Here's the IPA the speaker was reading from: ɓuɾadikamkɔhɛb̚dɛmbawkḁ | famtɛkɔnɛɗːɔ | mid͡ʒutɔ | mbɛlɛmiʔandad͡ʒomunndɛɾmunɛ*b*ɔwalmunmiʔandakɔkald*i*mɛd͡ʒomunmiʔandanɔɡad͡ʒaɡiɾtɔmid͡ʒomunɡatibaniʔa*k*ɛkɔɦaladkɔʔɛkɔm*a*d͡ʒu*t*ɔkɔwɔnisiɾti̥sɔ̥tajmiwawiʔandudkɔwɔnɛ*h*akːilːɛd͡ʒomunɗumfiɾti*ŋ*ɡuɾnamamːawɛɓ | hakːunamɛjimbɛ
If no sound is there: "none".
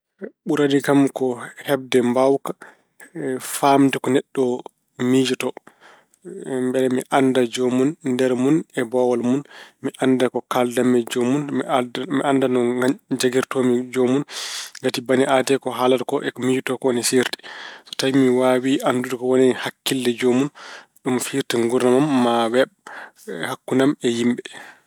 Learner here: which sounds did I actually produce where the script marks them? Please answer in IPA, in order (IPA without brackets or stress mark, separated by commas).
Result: b, a, t, i, t, h, ŋ